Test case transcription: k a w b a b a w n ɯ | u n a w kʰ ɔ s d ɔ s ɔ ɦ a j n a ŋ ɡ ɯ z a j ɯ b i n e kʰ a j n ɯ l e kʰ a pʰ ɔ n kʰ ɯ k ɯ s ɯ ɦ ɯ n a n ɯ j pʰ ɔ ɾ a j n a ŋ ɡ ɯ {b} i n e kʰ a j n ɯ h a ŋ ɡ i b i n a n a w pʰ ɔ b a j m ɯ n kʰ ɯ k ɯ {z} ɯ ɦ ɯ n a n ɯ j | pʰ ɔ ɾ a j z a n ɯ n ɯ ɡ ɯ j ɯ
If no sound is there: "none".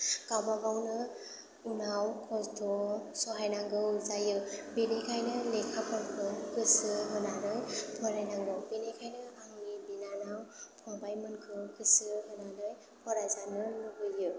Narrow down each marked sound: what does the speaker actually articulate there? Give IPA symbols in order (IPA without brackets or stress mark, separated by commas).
b, s